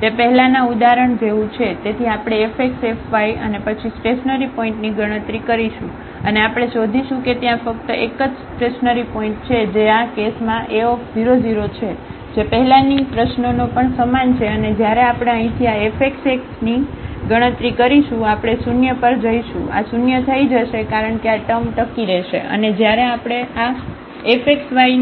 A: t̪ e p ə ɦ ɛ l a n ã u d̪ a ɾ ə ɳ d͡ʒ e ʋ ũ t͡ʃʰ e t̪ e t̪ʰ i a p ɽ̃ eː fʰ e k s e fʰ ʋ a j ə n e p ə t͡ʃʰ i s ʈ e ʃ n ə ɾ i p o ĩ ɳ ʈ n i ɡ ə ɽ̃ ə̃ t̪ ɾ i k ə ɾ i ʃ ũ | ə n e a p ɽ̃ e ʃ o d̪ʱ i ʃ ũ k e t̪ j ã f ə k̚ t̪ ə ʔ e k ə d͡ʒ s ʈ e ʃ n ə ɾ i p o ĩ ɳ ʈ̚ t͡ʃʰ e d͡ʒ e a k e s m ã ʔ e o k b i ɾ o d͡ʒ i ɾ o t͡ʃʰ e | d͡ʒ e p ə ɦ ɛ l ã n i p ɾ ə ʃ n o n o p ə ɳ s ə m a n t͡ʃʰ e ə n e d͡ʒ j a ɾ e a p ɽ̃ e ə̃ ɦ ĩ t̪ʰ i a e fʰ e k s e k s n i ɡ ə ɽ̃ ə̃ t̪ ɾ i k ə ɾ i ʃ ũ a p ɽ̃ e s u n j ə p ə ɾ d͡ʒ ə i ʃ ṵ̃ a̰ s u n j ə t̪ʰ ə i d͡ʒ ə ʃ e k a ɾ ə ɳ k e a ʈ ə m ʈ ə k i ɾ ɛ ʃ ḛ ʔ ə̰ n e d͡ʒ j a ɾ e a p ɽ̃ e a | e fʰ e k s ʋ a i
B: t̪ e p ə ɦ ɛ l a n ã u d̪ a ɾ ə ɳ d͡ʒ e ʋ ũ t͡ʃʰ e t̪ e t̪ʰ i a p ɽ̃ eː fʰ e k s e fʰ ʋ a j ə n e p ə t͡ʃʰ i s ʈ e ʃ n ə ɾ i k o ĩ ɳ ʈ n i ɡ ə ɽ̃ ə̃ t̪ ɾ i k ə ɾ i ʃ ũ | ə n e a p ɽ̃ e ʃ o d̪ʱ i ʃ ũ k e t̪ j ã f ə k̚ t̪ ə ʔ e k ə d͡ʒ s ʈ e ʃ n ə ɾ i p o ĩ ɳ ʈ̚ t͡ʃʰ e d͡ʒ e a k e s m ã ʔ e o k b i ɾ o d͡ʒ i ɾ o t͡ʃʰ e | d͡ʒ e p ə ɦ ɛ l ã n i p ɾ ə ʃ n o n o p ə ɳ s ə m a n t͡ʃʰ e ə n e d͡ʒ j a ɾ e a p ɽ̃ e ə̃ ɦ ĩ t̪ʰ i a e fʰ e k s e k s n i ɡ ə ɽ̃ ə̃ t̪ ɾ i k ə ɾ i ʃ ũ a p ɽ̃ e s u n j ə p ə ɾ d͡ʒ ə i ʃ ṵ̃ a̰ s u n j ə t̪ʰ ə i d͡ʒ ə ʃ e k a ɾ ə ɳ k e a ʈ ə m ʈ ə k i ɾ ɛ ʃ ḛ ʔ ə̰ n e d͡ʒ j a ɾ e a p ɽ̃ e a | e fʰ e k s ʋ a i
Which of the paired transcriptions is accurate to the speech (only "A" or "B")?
A